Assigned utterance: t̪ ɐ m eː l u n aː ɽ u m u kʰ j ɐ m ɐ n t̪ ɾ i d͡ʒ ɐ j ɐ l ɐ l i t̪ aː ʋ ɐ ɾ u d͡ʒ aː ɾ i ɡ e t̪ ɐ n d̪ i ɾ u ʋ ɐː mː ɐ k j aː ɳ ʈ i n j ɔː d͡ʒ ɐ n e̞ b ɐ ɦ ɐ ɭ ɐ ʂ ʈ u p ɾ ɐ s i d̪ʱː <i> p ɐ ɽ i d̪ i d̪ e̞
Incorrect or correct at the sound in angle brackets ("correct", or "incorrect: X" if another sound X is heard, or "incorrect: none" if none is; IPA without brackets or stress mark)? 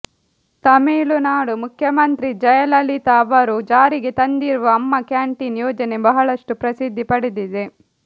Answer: correct